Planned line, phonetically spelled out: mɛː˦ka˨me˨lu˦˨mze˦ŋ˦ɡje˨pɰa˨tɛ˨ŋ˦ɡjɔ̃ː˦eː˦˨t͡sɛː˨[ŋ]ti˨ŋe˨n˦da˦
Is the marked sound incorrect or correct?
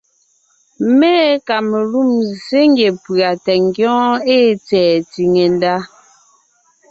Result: incorrect